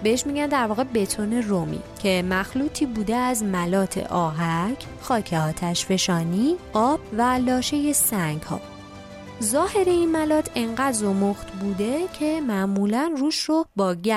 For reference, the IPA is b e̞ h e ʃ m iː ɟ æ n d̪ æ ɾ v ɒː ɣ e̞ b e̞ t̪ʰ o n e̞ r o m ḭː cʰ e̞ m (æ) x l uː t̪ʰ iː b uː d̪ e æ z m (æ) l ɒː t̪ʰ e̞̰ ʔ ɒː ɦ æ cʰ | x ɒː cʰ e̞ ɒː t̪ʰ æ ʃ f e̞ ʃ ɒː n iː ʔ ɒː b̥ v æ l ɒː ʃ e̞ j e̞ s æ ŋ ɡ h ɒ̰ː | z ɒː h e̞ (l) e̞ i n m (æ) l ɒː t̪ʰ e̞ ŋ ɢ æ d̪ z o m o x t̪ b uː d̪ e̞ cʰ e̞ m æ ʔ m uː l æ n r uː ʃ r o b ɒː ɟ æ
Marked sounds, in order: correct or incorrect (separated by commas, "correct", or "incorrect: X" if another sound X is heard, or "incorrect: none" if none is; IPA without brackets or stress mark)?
correct, correct, incorrect: ɾ, correct